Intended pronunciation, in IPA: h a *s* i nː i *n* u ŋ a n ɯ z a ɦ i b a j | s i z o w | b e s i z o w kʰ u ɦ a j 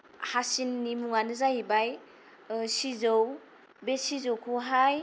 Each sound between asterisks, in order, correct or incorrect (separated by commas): correct, incorrect